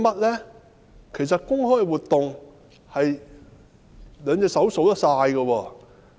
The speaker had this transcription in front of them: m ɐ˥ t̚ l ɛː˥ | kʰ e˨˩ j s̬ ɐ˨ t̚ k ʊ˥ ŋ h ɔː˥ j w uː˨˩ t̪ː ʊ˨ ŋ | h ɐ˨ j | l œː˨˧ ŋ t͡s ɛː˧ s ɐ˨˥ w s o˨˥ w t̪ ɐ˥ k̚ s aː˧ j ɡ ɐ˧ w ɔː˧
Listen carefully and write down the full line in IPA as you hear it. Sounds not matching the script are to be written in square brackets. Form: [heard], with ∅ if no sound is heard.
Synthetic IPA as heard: m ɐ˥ t̚ l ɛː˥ | kʰ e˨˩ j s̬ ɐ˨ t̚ k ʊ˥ ŋ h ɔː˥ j w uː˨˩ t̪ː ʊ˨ ŋ | h ɐ˨ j | l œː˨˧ ŋ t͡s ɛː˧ s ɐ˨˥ w s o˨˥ w t̪ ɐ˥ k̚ s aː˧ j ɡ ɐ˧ w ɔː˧